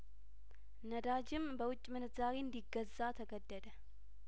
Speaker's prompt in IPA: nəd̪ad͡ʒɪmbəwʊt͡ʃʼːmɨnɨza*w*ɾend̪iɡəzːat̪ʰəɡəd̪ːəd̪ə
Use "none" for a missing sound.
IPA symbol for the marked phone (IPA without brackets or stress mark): none